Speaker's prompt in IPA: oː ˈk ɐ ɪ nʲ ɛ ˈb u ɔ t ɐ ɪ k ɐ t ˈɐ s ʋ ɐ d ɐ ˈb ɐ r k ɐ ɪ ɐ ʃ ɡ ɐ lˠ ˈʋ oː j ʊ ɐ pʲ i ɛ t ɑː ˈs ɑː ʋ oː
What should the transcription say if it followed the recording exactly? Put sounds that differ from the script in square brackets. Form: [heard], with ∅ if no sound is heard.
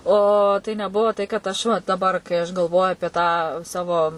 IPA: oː [ˈt] ɐ ɪ nʲ ɛ ˈb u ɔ t ɐ ɪ k ɐ t ˈɐ [ʃ] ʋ ɐ d ɐ ˈb ɐ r k ɐ ɪ ɐ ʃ ɡ ɐ lˠ ˈʋ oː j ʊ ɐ pʲ i ɛ t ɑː ˈs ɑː ʋ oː